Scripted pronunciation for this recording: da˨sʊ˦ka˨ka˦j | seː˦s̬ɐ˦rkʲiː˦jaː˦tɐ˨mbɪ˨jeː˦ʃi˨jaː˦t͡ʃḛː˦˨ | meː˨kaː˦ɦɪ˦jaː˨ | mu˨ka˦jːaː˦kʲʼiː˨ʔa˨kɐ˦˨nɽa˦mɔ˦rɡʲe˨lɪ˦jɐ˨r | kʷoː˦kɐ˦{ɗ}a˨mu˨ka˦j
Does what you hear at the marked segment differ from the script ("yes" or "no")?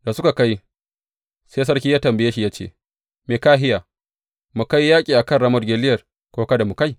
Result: yes